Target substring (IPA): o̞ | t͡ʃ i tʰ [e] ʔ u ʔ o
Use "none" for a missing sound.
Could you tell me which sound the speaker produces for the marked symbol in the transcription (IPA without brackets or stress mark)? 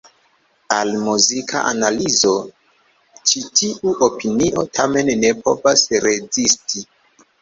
i